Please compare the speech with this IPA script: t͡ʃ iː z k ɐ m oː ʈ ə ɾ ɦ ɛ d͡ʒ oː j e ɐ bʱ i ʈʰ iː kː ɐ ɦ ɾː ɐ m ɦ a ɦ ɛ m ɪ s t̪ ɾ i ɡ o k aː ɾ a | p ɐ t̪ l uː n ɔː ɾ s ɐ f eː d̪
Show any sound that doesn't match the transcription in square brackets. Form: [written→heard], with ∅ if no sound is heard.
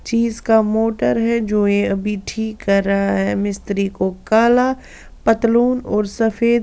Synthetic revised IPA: t͡ʃ iː z k [ɐ→a] m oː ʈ ə ɾ ɦ ɛ d͡ʒ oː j e ɐ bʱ i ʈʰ iː kː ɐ [ɦ→∅] ɾː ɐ [m→∅] ɦ a ɦ ɛ m ɪ s t̪ ɾ i [ɡ→k] o k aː [ɾ→l] a | p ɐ t̪ l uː n ɔː ɾ s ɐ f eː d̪

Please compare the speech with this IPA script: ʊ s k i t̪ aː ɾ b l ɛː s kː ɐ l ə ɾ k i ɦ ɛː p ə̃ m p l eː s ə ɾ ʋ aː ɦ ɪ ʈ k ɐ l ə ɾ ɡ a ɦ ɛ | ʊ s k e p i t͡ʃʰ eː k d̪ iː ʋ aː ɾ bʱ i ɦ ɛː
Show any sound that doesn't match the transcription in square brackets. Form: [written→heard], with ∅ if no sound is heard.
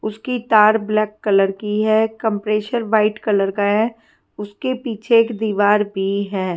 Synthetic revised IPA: ʊ s k i t̪ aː ɾ b l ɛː [s→∅] kː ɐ l ə ɾ k i ɦ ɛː [p→k] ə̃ m p [l→ɾ] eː [s→ʃ] ə ɾ ʋ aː [ɦ→∅] ɪ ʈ k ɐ l ə ɾ [ɡ→k] a ɦ ɛ | ʊ s k e p [i→iː] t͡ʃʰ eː k d̪ iː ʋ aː ɾ bʱ i ɦ ɛː

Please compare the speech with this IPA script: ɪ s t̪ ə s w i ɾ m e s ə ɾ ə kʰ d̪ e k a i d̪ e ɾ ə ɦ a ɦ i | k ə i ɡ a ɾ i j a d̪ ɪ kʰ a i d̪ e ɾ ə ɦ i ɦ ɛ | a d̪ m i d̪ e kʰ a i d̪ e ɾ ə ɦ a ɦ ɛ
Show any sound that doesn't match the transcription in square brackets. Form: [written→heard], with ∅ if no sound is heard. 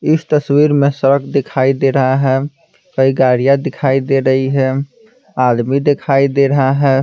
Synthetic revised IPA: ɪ s t̪ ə s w i ɾ m e s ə ɾ ə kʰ d̪ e [k→kʰ] a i d̪ e ɾ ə ɦ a ɦ [i→ɛ] | k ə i ɡ a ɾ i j a d̪ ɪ kʰ a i d̪ e ɾ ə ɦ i ɦ ɛ | a d̪ m i d̪ e kʰ a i d̪ e ɾ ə ɦ a ɦ ɛ

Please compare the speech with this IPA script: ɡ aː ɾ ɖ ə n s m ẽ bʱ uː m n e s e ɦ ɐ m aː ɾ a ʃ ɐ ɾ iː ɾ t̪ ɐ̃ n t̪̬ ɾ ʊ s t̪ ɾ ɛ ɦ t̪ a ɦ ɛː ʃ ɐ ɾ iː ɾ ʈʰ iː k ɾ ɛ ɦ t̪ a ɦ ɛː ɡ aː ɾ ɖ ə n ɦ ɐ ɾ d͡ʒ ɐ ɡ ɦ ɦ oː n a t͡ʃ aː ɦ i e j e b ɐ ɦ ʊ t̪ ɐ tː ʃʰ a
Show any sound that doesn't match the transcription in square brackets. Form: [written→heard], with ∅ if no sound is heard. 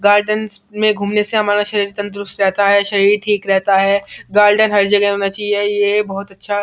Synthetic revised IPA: ɡ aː ɾ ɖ ə n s m ẽ [bʱ→ɡʱ] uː m n e s e ɦ ɐ m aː ɾ a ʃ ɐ ɾ iː ɾ t̪ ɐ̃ n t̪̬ ɾ ʊ s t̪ ɾ ɛ ɦ t̪ a ɦ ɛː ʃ ɐ ɾ iː ɾ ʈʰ iː k ɾ ɛ ɦ t̪ a ɦ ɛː ɡ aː ɾ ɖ ə n ɦ ɐ ɾ d͡ʒ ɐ ɡ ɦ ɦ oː n a t͡ʃ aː ɦ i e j e b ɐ ɦ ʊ t̪ ɐ tː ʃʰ a

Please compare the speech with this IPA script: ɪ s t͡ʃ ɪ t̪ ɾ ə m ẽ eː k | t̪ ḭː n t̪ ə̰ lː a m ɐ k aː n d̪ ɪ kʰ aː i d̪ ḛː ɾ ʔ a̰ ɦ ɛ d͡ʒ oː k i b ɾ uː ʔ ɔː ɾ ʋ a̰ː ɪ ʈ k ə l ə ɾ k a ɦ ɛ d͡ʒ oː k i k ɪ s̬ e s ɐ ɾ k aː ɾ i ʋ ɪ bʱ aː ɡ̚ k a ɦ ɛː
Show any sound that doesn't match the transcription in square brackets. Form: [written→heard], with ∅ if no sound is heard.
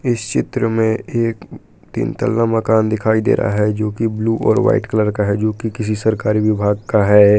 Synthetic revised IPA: ɪ s t͡ʃ ɪ t̪ ɾ ə m ẽ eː k | t̪ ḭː n t̪ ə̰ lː a m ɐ k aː n d̪ ɪ kʰ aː i d̪ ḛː ɾ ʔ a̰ ɦ ɛ d͡ʒ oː k i b [ɾ→l] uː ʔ ɔː ɾ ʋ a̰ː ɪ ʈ k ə l ə ɾ k a ɦ ɛ d͡ʒ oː k i k ɪ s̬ [e→i] s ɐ ɾ k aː ɾ i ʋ ɪ bʱ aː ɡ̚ k a ɦ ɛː

